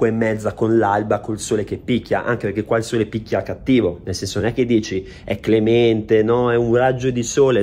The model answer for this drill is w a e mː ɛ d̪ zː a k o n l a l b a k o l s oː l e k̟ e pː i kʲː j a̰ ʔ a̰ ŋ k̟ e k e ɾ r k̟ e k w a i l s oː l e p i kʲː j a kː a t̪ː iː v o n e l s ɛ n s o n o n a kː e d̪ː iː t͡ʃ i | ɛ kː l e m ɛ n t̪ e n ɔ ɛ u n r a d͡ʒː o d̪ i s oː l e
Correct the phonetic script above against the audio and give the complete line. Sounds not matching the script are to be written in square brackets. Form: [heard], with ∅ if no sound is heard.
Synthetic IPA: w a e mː ɛ d̪ zː a k o n l a l b a k o l s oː l e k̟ e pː i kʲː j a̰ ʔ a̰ ŋ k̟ e [p] e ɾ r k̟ e k w a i l s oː l e p i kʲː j a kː a t̪ː iː v o n e l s ɛ n s o n o n [ɛ] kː e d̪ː iː t͡ʃ i | ɛ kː l e m ɛ n t̪ e n ɔ ɛ u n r a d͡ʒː o d̪ i s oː l e